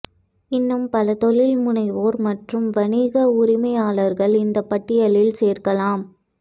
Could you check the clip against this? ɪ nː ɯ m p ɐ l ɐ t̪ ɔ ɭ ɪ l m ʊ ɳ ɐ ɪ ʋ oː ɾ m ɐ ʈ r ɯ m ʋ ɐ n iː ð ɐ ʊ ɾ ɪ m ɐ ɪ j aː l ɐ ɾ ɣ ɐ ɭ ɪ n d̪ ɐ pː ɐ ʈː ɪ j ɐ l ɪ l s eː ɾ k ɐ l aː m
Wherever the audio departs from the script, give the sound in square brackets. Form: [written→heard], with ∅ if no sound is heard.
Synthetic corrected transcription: ɪ nː ɯ m p ɐ l ɐ t̪ ɔ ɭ ɪ l m ʊ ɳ ɐ ɪ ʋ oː ɾ m ɐ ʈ r ɯ m ʋ ɐ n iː [ð→ɣ] ɐ ʊ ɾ ɪ m ɐ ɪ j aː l ɐ ɾ ɣ ɐ ɭ ɪ n d̪ ɐ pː ɐ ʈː ɪ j ɐ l ɪ l s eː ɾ k ɐ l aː m